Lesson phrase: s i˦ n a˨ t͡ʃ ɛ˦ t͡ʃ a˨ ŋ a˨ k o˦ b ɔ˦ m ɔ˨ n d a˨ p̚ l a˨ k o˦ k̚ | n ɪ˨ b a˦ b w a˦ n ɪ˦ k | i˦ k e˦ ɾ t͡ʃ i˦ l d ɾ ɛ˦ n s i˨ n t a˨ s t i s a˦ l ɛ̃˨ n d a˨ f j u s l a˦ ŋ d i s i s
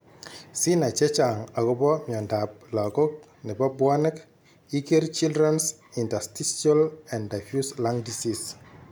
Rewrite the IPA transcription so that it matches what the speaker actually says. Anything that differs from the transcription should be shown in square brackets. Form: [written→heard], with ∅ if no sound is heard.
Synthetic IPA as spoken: s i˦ n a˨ t͡ʃ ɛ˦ t͡ʃ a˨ ŋ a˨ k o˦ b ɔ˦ m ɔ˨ n d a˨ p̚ l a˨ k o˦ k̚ | n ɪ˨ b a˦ b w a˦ n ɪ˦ k | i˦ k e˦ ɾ t͡ʃ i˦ l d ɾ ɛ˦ n s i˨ n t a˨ s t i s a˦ l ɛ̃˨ n d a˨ f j u s l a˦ ŋ d i s i s